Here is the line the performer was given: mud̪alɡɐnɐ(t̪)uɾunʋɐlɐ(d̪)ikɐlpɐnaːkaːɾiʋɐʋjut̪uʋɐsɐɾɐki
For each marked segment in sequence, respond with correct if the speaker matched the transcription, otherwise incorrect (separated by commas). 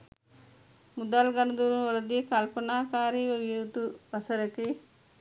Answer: incorrect, correct